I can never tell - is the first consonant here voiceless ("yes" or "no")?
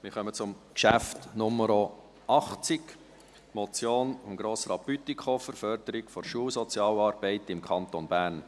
no